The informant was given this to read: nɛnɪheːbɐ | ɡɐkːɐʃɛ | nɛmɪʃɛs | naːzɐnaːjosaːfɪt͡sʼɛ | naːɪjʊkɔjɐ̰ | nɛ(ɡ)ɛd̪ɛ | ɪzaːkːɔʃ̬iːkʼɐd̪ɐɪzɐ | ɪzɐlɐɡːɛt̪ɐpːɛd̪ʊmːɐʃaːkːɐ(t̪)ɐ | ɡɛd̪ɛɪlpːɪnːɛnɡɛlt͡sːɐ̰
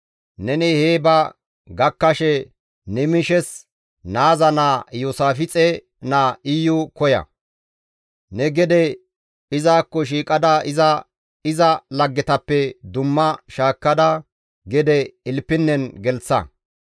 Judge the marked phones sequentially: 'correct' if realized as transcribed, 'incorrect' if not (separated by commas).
correct, incorrect